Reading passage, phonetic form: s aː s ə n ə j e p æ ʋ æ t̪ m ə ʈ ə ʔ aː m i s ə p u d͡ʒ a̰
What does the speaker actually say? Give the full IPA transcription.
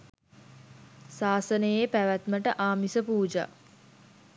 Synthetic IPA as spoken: s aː s ə n ə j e p æ ʋ æ t̪ m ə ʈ ə ʔ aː m i s ə p uː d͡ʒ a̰